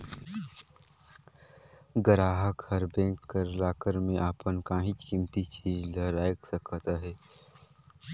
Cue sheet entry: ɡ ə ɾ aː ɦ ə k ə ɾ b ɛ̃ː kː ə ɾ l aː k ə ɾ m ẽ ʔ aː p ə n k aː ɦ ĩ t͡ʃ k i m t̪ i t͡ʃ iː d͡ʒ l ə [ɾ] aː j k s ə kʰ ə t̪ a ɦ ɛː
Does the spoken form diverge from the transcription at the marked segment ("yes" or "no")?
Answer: no